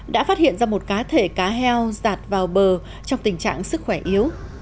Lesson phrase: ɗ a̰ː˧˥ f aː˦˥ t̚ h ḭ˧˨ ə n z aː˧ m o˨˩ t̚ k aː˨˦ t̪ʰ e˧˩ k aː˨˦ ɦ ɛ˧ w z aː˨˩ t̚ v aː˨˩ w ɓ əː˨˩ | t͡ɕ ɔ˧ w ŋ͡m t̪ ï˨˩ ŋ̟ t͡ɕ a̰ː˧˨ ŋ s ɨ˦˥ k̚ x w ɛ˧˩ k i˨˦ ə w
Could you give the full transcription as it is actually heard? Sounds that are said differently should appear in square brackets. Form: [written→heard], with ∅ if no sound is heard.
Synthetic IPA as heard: ɗ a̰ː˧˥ f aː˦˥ t̚ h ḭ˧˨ ə n z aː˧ m o˨˩ t̚ k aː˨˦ t̪ʰ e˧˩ k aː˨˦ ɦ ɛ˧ w z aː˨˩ t̚ v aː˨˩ w ɓ əː˨˩ | t͡ɕ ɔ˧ w ŋ͡m t̪ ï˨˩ ŋ̟ t͡ɕ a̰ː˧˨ ŋ s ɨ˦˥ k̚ x w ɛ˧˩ [k→ʔ] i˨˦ ə w